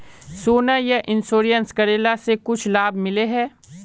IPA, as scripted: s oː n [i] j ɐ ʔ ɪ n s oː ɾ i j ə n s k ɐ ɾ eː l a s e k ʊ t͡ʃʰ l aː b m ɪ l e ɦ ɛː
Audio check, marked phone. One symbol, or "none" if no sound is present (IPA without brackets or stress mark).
a